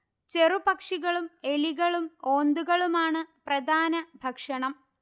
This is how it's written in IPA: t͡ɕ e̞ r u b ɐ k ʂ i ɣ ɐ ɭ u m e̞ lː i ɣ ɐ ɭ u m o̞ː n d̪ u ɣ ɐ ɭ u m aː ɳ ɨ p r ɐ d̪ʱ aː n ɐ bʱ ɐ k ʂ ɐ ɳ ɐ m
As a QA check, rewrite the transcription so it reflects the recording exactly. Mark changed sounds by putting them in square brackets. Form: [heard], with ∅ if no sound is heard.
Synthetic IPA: t͡ɕ e̞ r u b ɐ k ʂ i ɣ ɐ ɭ u m e̞ [l] i ɣ ɐ ɭ u m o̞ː n d̪ u ɣ ɐ ɭ u m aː ɳ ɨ p r ɐ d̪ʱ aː n ɐ bʱ ɐ k ʂ ɐ ɳ ɐ m